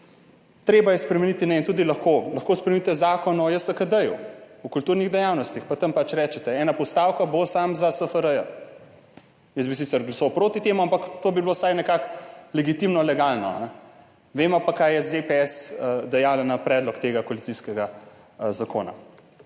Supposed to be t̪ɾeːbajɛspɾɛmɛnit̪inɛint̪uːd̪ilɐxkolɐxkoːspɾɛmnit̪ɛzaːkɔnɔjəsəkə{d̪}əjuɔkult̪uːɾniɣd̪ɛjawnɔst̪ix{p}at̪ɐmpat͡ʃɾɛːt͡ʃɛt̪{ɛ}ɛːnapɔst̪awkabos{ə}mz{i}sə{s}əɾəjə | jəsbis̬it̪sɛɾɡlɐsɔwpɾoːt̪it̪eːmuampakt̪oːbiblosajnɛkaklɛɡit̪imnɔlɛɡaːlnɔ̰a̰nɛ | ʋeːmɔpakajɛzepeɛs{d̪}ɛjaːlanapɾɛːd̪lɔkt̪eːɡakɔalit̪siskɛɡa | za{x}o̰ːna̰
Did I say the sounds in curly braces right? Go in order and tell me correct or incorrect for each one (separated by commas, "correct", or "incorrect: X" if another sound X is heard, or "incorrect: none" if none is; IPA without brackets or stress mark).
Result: correct, correct, correct, incorrect: a, incorrect: a, incorrect: f, correct, incorrect: k